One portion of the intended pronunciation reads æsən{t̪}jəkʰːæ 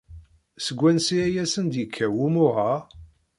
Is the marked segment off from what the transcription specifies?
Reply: yes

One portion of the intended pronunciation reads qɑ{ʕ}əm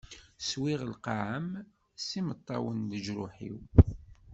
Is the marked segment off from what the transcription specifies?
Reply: no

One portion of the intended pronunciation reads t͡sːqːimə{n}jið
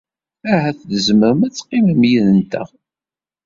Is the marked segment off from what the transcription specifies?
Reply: yes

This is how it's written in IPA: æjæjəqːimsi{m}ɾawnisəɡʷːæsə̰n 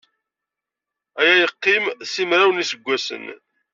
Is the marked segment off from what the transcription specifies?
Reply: no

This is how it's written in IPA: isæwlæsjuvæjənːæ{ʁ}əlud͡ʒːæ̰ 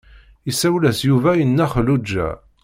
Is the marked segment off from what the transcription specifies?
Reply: yes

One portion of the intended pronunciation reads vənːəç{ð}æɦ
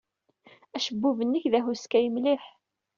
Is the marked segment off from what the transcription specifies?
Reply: no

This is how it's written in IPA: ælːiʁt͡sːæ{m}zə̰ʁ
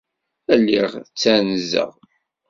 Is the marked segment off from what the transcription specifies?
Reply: yes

